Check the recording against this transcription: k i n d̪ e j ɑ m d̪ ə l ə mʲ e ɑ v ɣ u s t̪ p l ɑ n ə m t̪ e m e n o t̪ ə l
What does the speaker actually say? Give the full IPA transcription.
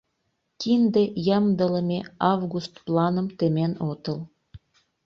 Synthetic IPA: k i n d̪ e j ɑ m d̪ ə l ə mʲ e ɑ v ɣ u s t̪ p l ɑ n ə m t̪ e m e n o t̪ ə l